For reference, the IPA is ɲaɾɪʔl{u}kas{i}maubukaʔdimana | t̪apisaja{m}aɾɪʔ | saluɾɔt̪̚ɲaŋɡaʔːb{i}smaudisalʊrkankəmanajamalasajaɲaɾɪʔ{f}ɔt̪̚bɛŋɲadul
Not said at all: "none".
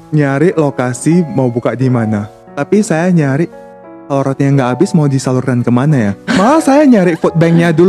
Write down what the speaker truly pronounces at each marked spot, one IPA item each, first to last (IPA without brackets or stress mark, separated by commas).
o, i, ɲ, ɪ, f